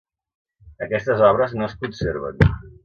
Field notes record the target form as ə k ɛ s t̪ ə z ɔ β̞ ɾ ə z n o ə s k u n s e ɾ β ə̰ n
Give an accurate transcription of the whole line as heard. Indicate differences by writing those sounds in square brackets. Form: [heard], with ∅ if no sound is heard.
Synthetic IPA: ə k ɛ s t̪ ə z ɔ β̞ ɾ ə z n o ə s k u n s e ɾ β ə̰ n